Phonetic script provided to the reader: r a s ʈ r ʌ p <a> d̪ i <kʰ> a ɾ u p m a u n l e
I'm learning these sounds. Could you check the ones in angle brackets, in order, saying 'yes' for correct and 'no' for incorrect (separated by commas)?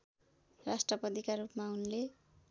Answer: no, no